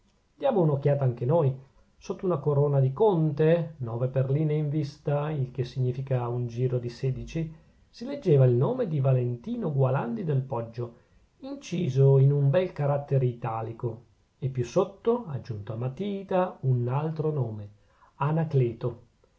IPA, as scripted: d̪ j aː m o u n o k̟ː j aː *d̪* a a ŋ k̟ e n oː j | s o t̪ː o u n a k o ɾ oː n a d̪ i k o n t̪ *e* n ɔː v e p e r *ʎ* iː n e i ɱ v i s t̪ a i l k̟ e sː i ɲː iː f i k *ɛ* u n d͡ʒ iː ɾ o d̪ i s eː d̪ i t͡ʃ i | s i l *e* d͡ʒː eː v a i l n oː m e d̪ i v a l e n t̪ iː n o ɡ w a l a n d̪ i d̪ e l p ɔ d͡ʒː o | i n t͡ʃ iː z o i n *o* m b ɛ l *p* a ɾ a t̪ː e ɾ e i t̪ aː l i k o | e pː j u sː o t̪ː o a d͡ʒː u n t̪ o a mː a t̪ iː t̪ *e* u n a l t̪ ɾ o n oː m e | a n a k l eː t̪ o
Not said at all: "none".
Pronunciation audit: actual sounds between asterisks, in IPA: t̪, e, l, a, e, u, k, a

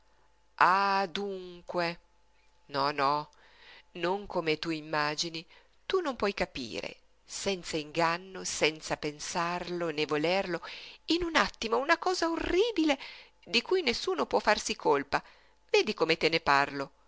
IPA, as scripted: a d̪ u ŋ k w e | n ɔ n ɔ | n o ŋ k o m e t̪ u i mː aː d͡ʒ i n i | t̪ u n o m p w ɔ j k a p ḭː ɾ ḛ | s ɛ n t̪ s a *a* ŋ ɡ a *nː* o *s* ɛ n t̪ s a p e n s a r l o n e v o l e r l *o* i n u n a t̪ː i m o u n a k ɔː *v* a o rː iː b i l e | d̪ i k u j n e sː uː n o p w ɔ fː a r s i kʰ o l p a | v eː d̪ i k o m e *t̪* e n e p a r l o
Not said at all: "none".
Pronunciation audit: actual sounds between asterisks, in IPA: i, nː, s, o, z, t̪

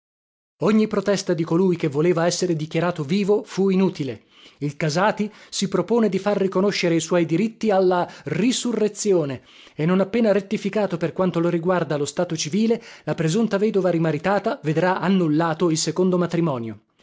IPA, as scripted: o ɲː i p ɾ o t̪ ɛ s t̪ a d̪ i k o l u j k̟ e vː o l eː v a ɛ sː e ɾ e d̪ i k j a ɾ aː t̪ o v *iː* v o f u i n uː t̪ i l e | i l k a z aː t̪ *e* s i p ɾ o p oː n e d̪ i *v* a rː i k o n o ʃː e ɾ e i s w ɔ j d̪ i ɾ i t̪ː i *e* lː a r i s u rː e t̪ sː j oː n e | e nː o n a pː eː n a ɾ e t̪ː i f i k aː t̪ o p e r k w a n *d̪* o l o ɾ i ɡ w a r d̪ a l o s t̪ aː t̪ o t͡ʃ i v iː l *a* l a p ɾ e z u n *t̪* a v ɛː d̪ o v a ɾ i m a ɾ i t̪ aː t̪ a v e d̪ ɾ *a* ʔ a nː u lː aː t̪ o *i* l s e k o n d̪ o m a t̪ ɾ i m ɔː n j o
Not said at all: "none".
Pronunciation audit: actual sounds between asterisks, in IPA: iː, i, f, a, t̪, e, t̪, a, i

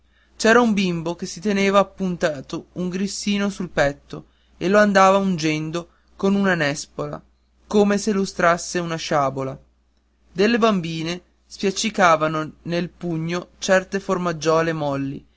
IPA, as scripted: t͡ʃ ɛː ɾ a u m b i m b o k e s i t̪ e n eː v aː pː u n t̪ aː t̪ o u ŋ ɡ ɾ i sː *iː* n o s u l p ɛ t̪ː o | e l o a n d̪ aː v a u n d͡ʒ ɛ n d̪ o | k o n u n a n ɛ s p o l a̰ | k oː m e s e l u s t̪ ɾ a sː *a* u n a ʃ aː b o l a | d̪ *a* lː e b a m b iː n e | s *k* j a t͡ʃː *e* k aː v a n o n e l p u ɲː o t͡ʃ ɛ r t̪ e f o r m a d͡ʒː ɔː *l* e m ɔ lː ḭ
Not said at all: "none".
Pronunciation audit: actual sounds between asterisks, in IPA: iː, e, e, p, i, l

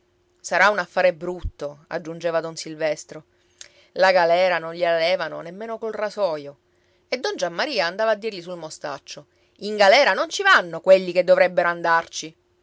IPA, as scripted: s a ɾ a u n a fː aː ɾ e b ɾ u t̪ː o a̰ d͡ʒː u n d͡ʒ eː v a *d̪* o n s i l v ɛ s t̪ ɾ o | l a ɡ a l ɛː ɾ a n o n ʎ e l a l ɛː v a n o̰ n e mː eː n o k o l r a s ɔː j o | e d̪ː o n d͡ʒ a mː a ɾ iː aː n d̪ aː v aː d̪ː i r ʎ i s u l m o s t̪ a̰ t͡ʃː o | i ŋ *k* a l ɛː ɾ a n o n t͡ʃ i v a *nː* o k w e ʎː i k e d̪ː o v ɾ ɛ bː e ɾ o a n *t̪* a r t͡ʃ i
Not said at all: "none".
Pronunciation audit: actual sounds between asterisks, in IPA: d̪, ɡ, nː, d̪

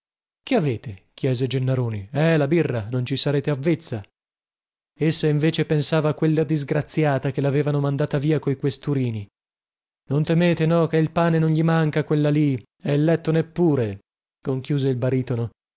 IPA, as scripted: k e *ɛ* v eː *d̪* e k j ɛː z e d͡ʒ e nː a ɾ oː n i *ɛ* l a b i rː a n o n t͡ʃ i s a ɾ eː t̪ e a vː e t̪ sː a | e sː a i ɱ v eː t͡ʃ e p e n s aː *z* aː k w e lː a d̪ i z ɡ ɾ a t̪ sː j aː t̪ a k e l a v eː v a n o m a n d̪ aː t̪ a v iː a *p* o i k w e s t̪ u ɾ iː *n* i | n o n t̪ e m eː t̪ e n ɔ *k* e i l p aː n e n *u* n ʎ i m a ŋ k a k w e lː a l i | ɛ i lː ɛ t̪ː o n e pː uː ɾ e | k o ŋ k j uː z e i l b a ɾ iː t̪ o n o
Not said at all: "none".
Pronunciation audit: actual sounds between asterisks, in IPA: a, t̪, ɛ, v, k, n, k, o

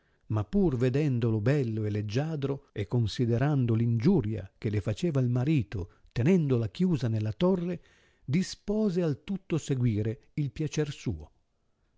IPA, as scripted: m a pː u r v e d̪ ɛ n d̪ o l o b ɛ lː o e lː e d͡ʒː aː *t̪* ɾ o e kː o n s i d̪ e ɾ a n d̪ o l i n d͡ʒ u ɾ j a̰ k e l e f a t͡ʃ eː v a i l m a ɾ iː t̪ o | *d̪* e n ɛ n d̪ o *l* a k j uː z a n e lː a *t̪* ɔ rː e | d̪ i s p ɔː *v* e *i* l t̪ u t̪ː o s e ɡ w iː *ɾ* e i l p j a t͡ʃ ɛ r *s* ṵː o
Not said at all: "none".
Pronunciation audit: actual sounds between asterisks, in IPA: d̪, t̪, l, t̪, z, a, ɾ, s

